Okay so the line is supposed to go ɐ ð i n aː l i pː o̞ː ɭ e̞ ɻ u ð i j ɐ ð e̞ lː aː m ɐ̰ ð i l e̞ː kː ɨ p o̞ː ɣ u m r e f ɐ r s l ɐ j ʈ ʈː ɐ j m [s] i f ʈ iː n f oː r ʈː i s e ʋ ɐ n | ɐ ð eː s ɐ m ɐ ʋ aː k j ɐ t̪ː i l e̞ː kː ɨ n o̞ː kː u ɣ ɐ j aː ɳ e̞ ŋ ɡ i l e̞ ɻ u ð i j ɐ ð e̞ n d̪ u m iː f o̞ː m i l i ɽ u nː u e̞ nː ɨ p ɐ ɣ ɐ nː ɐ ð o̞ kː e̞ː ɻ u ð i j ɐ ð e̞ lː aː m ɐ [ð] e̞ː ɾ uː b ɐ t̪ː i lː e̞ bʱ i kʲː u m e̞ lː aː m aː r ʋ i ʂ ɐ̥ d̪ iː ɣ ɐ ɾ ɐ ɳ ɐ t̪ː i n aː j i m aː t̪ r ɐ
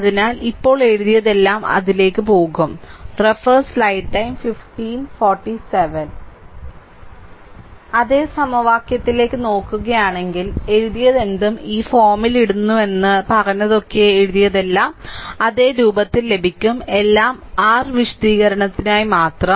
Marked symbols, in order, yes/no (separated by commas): no, yes